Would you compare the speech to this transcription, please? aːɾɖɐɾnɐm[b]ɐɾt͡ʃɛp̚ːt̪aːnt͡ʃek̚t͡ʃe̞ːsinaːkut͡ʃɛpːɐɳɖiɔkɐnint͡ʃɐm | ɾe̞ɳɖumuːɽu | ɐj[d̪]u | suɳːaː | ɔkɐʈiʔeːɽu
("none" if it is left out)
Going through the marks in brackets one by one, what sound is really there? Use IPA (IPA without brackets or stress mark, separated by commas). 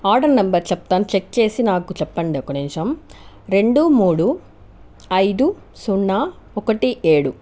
b, d̪